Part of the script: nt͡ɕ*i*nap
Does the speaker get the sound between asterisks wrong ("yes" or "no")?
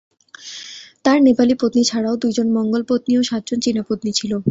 no